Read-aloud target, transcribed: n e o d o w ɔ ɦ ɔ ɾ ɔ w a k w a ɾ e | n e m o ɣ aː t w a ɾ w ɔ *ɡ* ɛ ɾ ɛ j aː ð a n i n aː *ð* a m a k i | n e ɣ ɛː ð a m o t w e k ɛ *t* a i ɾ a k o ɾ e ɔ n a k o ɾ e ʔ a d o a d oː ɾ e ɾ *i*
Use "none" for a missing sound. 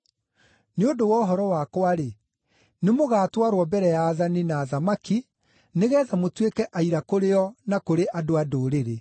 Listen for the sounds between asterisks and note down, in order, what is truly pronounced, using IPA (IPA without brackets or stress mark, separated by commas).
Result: b, ð, ʔ, e